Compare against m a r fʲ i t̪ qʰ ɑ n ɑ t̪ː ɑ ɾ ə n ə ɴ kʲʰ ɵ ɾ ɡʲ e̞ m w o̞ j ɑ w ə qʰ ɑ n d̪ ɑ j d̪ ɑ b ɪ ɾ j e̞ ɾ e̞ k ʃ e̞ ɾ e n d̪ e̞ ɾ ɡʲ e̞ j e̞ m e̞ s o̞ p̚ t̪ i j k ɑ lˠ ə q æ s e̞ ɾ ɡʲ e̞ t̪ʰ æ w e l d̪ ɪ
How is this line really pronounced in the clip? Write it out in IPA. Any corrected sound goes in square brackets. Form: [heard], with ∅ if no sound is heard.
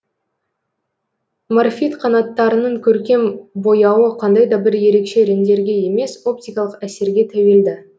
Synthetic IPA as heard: m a r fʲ i t̪ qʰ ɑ n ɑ t̪ː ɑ ɾ ə n ə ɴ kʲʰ ɵ ɾ [kʲ] e̞ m [b] o̞ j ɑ w ə qʰ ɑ n d̪ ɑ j d̪ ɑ b ɪ ɾ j e̞ ɾ e̞ k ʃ e̞ ɾ e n d̪ e̞ ɾ ɡʲ e̞ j e̞ m e̞ s o̞ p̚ t̪ i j k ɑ lˠ ə q æ s e̞ ɾ ɡʲ e̞ t̪ʰ æ w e l d̪ ɪ

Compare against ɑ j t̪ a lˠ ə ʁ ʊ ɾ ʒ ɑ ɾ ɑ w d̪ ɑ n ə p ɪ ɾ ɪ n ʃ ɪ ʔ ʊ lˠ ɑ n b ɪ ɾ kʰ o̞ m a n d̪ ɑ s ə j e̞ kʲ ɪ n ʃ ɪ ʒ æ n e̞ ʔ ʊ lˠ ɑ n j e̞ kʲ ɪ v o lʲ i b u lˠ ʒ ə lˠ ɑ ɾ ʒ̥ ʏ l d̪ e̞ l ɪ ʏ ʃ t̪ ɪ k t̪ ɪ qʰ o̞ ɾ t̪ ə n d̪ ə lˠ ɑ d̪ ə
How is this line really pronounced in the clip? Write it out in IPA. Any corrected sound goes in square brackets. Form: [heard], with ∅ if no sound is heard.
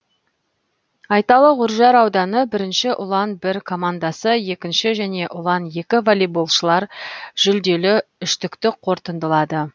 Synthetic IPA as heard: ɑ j t̪ [ɑ] lˠ ə ʁ ʊ ɾ ʒ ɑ ɾ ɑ w d̪ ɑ n ə [b] ɪ ɾ ɪ n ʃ ɪ ʔ ʊ lˠ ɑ n b ɪ ɾ kʰ o̞ m a n d̪ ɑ s ə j e̞ kʲ ɪ n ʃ ɪ ʒ æ n e̞ ʔ ʊ lˠ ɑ n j e̞ kʲ ɪ v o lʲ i b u lˠ [ʃ] ə lˠ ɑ ɾ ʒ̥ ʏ l d̪ e̞ l ɪ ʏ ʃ t̪ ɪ k t̪ ɪ qʰ o̞ ɾ t̪ ə n d̪ ə lˠ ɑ d̪ ə

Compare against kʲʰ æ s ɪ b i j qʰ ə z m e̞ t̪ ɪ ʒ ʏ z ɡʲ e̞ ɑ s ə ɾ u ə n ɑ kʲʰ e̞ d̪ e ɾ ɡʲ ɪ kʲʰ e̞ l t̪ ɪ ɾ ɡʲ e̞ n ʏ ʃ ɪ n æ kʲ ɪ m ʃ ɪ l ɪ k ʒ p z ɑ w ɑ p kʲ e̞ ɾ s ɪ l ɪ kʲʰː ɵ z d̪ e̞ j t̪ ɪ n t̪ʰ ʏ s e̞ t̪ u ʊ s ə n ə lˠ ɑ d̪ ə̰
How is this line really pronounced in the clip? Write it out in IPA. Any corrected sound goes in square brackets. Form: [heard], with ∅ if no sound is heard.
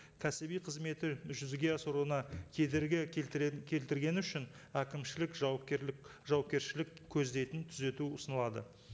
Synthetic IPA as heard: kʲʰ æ s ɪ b i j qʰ ə z m e̞ t̪ ɪ ʒ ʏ z ɡʲ e̞ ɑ s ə ɾ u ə n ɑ kʲʰ e̞ d̪ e ɾ ɡʲ ɪ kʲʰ e̞ l t̪ ɪ ɾ ɡʲ e̞ n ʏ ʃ ɪ n æ kʲ ɪ m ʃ ɪ l ɪ k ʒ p [ʒ] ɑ w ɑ p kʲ e̞ ɾ [ʃ] ɪ l ɪ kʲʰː ɵ z d̪ e̞ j t̪ ɪ n t̪ʰ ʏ [z] e̞ t̪ u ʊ s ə n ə lˠ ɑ d̪ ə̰

